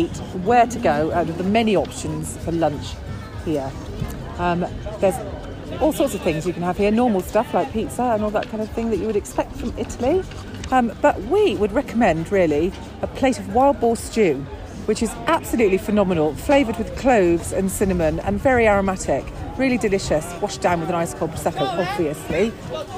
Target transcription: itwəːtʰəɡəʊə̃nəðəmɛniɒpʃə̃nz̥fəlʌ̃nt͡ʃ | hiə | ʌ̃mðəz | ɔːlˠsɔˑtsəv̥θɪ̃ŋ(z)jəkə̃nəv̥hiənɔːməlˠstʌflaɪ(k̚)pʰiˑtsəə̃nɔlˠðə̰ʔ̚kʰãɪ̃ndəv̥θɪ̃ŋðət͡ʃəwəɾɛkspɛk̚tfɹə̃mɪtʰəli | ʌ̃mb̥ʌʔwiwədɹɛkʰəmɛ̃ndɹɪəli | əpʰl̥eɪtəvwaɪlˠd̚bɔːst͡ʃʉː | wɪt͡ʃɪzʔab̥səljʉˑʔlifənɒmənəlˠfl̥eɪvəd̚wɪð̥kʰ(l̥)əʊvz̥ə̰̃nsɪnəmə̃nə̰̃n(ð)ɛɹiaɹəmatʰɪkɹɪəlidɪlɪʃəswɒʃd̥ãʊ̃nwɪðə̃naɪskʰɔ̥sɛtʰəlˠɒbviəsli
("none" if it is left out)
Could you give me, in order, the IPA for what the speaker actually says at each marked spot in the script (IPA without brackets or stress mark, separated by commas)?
z, k̚, l̥, v